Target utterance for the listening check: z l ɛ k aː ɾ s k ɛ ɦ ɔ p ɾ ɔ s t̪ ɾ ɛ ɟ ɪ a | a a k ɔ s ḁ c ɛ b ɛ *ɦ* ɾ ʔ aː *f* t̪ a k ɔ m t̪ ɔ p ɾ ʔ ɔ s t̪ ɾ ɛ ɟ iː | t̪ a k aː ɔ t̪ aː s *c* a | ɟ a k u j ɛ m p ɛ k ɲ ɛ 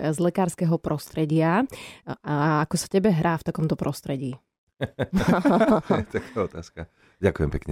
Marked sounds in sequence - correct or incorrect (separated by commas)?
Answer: correct, correct, incorrect